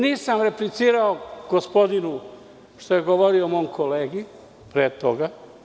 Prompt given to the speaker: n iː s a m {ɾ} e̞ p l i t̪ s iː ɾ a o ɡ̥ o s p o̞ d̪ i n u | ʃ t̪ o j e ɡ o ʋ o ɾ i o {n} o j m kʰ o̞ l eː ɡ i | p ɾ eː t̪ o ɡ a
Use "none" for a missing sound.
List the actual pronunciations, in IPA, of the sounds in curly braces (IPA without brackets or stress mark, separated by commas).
ɾ, m